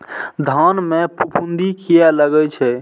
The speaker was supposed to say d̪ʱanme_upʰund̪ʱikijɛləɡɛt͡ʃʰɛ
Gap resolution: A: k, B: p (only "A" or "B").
B